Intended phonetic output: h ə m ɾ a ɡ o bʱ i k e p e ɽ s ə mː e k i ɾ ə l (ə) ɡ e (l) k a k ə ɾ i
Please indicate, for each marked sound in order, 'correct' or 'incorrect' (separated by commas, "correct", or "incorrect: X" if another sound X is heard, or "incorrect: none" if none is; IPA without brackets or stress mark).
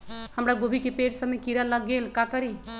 correct, correct